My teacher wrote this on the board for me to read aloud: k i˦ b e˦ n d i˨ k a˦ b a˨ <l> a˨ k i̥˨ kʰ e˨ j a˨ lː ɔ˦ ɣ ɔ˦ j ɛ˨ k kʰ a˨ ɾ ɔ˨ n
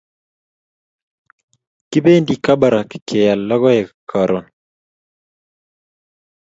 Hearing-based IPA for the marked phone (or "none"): ɾ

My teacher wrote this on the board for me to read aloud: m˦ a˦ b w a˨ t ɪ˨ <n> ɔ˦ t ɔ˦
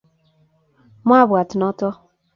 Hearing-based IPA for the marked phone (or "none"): n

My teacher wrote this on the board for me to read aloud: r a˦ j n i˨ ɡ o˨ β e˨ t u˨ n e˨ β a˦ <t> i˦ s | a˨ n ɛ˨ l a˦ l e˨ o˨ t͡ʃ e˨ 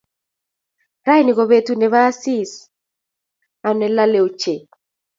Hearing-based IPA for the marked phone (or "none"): s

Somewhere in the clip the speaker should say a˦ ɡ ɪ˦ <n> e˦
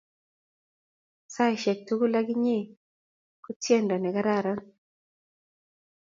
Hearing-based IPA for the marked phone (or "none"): ɲ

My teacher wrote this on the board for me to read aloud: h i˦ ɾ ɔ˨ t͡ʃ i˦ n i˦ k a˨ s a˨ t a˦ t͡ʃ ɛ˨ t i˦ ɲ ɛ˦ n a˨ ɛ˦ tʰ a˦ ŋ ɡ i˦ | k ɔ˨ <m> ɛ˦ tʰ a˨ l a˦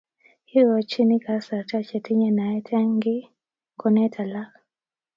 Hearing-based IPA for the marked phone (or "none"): n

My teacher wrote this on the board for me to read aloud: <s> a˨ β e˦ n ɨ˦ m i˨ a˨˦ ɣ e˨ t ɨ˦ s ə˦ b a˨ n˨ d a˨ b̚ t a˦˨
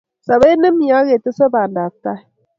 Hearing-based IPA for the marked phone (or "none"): s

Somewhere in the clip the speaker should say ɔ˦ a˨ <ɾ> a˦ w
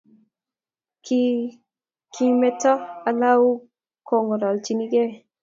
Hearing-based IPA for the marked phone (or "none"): l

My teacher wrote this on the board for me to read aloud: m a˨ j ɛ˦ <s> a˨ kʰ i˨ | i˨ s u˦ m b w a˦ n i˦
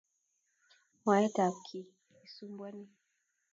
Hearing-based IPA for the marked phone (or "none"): t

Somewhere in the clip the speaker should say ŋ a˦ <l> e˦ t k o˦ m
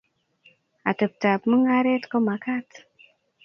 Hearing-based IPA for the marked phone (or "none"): ɾ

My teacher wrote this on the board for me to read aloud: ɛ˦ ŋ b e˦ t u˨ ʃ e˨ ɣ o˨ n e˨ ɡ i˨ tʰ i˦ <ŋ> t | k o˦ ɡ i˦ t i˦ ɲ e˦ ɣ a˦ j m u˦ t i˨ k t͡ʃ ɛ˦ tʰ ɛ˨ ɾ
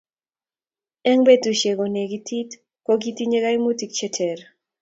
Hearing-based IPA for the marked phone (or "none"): none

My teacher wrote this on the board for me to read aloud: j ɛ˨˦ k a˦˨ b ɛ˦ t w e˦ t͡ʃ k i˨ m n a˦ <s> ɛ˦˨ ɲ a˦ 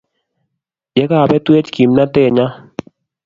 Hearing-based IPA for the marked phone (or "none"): t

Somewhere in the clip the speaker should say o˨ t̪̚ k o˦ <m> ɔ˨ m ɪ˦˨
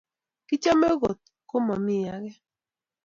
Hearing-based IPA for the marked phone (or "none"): m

